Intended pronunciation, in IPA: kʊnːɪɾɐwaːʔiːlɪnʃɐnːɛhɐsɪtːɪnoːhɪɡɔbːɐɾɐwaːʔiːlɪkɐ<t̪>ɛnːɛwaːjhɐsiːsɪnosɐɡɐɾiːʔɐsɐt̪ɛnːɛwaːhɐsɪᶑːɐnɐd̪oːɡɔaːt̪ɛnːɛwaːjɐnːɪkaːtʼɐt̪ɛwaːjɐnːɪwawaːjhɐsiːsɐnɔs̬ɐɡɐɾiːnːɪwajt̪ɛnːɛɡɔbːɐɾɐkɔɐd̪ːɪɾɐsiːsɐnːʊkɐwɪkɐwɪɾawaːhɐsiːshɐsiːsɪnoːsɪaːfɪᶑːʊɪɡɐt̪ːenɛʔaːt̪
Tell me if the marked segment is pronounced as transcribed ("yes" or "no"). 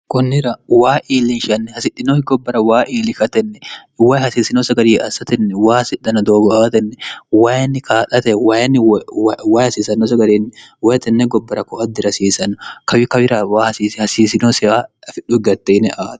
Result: yes